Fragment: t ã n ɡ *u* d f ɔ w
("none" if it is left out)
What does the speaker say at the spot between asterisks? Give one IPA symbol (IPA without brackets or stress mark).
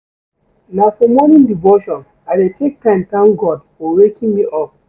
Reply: ɔ